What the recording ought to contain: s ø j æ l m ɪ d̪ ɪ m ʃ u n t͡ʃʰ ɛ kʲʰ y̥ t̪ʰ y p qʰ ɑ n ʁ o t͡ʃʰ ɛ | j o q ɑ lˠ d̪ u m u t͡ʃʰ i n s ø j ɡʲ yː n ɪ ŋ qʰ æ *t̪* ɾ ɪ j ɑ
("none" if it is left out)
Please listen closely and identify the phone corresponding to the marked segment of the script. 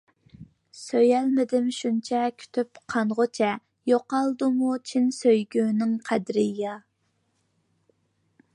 d̪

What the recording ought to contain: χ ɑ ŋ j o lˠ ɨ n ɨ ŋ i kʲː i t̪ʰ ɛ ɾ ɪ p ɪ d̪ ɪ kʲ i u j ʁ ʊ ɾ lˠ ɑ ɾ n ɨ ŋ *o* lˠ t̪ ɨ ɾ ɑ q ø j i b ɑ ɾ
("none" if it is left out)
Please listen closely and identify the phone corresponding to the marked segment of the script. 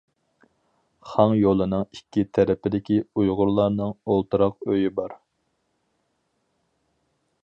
o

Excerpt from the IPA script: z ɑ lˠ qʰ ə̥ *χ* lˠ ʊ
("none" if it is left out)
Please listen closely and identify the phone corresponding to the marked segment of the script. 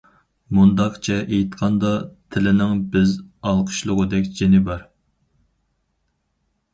ʃ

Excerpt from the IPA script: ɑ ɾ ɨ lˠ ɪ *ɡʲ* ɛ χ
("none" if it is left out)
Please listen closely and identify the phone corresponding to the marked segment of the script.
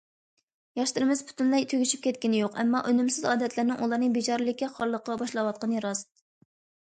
kʲ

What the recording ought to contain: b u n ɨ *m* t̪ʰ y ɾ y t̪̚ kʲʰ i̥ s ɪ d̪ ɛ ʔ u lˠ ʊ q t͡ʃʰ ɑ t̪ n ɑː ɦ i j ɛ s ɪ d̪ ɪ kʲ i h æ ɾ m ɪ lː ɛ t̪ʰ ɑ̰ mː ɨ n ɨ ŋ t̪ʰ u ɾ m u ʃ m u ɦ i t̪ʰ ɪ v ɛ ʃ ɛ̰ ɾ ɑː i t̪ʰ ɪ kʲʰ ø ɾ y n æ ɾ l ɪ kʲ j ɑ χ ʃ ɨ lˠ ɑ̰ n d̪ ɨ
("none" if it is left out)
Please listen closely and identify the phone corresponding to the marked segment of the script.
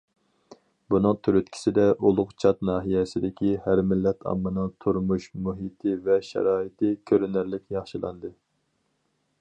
ŋ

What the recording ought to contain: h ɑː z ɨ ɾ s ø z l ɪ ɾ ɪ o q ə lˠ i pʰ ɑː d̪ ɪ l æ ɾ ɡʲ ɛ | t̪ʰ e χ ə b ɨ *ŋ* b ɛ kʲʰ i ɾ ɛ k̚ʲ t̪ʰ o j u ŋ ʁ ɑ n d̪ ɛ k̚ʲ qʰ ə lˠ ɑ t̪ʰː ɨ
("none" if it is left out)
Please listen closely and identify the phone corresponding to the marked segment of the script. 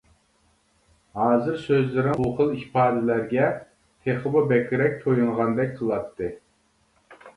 none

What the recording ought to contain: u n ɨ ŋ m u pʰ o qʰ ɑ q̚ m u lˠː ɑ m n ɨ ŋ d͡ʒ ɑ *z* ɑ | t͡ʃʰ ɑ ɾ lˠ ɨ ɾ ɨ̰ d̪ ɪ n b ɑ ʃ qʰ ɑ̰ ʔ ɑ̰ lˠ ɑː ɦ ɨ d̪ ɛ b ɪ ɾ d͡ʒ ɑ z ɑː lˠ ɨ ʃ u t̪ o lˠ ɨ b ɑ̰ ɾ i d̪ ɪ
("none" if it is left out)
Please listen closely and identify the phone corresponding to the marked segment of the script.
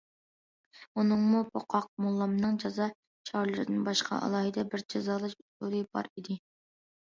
z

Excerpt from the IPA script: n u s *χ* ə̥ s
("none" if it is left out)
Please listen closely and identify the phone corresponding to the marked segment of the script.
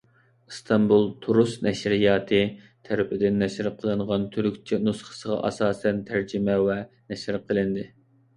χ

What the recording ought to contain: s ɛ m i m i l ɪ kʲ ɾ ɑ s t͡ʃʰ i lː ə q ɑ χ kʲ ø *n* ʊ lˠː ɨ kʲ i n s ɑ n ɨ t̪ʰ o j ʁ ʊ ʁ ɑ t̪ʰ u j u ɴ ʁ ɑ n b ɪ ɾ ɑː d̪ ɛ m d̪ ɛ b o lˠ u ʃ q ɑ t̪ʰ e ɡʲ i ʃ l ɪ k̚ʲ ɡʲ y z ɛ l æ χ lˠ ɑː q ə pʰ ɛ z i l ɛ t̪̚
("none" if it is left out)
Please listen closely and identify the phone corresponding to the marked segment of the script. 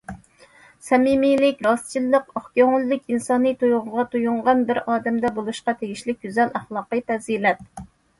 ŋ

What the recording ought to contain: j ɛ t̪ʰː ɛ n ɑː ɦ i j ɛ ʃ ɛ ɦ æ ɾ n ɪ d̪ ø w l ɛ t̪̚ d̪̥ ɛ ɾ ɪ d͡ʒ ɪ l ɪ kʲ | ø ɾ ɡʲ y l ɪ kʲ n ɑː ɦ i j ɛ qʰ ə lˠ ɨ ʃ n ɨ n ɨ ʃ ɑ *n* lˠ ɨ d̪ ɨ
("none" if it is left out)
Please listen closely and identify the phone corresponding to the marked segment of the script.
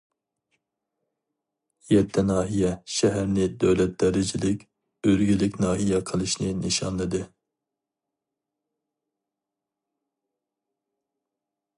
n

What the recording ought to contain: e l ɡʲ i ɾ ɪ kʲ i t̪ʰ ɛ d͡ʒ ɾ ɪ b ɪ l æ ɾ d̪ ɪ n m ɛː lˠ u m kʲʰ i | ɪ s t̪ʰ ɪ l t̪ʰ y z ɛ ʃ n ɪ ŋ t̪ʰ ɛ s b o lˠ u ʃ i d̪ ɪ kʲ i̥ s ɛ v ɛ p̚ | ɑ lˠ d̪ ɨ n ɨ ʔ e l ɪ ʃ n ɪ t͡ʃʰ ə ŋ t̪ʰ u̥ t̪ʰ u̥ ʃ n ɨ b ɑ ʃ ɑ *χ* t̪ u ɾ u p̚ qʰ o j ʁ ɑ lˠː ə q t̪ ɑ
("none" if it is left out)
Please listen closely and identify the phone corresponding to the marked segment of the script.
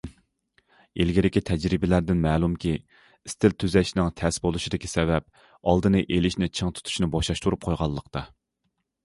ʃ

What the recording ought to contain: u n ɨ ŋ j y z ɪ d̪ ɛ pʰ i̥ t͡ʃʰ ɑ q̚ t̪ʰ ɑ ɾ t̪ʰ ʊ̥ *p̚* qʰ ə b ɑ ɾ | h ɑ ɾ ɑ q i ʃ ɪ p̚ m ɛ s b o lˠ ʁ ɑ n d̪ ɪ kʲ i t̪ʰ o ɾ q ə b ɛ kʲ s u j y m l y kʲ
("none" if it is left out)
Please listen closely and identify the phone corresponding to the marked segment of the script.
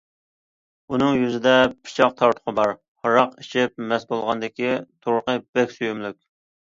none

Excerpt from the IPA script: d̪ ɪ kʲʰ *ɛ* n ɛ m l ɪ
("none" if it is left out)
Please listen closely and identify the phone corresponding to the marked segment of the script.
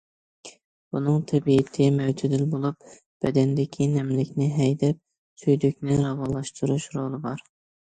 i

